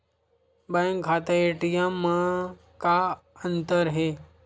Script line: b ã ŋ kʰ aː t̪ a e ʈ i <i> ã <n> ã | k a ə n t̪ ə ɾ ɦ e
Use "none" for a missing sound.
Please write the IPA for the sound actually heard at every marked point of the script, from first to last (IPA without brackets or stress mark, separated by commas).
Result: j, m